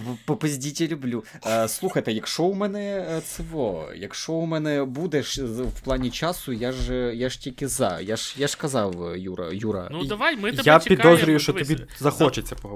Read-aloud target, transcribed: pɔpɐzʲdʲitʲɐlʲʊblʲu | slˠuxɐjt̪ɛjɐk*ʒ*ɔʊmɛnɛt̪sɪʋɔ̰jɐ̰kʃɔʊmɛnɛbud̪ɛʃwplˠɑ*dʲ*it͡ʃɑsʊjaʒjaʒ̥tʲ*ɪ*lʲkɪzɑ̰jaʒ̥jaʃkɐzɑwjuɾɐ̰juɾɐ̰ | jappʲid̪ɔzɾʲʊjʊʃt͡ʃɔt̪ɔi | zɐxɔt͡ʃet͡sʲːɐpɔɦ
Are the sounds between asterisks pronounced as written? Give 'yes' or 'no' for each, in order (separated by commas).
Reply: no, no, no